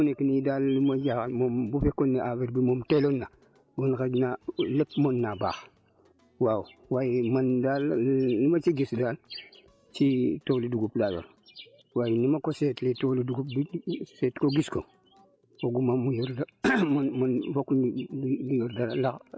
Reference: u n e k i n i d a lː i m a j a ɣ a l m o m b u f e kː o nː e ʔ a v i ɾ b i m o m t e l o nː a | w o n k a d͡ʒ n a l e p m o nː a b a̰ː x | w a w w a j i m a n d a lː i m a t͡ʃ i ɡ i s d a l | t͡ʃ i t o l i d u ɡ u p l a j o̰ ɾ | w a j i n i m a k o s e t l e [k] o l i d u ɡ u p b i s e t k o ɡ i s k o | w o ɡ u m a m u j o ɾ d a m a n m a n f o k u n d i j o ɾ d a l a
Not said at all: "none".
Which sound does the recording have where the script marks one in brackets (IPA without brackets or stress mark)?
t